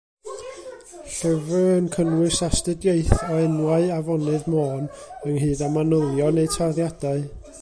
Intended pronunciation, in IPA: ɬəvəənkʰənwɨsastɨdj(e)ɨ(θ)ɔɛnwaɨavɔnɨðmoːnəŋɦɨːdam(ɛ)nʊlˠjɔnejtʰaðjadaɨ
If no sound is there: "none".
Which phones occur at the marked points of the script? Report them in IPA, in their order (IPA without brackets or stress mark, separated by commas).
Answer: e, θ, a